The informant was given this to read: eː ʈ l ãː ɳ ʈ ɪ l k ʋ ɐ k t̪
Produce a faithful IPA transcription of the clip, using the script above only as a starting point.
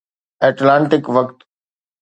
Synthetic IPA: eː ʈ l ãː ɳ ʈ ɪ k ʋ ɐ k t̪